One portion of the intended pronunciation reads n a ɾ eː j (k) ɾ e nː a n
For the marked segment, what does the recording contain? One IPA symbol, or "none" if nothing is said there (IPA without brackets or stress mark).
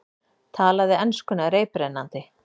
p